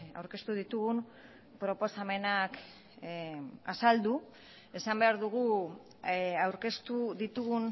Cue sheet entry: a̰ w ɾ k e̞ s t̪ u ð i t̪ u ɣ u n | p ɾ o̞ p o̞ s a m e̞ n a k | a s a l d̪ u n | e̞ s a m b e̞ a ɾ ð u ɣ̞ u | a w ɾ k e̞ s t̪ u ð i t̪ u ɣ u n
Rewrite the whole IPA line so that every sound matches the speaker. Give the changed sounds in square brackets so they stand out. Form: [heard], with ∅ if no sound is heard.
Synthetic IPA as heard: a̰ w ɾ k e̞ s t̪ u ð i t̪ u ɣ u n | p ɾ o̞ p o̞ s a m e̞ n a k | a s a l d̪ u [∅] | e̞ s a m b e̞ a ɾ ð u ɣ̞ u | a w ɾ k e̞ s t̪ u ð i t̪ u ɣ u n

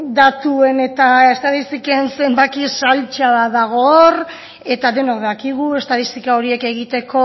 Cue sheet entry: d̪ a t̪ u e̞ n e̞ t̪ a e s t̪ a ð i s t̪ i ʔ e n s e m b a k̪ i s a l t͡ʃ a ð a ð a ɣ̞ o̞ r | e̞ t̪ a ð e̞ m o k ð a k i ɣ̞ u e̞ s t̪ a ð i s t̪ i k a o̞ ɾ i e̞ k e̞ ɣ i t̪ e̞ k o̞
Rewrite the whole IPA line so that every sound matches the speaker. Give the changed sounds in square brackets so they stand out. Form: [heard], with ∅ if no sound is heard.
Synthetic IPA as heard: d̪ a t̪ u e̞ n e̞ t̪ a e s t̪ a ð i s t̪ i [k] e n s e m b a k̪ i s a l t͡ʃ a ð a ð a ɣ̞ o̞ r | e̞ t̪ a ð e̞ [n] o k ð a k i ɣ̞ u e̞ s t̪ a ð i s t̪ i k a o̞ ɾ i e̞ k e̞ ɣ i t̪ e̞ k o̞

